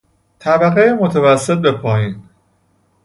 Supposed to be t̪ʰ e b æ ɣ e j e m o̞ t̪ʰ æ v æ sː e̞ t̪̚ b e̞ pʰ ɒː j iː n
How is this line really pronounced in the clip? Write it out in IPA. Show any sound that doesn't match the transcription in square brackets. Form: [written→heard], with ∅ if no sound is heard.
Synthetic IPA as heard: t̪ʰ [e→æ] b æ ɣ e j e m o̞ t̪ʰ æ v æ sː e̞ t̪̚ b e̞ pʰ ɒː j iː n